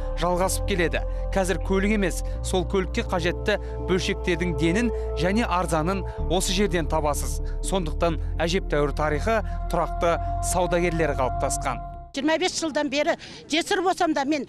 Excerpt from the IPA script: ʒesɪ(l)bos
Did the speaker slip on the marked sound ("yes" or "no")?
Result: yes